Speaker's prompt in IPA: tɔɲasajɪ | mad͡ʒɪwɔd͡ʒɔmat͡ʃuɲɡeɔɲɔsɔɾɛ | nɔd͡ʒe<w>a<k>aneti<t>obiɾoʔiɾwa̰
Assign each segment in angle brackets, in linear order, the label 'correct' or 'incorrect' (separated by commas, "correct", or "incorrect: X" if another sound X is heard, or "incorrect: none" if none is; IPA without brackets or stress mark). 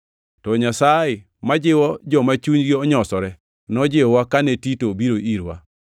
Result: correct, correct, correct